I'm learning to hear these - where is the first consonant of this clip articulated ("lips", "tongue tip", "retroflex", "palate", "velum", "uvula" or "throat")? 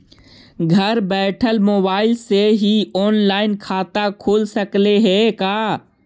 velum